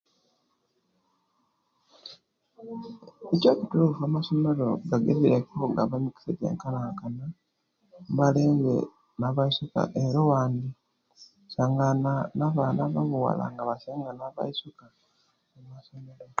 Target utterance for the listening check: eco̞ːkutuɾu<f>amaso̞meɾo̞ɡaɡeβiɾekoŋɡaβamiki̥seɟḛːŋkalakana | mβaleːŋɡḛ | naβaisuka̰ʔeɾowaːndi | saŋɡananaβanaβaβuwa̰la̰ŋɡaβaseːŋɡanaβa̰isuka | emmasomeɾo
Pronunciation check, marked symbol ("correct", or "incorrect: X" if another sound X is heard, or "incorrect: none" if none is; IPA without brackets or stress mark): correct